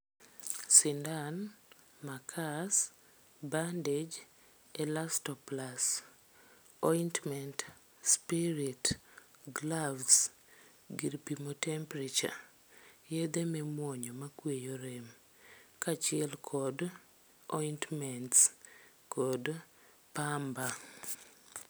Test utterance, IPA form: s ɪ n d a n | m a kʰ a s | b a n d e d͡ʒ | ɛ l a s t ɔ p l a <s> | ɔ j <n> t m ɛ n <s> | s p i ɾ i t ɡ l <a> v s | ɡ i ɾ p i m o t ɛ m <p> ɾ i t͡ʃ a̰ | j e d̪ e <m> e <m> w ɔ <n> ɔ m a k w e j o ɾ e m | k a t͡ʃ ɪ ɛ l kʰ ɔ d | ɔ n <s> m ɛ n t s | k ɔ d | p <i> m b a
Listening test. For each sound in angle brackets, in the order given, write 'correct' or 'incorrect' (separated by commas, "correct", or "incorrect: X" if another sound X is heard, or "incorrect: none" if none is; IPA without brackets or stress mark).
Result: correct, correct, incorrect: t, correct, correct, correct, correct, incorrect: ɲ, incorrect: t, incorrect: a